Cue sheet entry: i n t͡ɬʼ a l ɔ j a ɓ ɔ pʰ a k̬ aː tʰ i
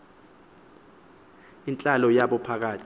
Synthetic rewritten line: i n t͡ɬʼ a l ɔ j a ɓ ɔ pʰ a k̬ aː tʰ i